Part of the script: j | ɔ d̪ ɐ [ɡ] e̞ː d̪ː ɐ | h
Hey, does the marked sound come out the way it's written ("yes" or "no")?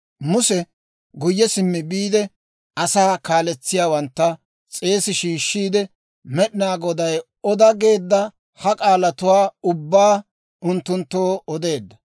yes